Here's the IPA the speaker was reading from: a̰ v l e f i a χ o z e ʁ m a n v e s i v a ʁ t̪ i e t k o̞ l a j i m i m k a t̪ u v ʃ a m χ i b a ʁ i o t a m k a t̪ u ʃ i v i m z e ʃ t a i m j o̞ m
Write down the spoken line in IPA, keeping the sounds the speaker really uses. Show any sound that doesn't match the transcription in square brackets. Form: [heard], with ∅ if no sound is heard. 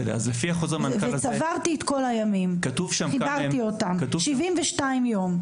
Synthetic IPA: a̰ [z] l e f i a χ o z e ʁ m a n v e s [a] v a ʁ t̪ i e t k o̞ l a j [a] m i m k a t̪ u v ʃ a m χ i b a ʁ i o t a m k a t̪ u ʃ i v i m [v] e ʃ t a i m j o̞ m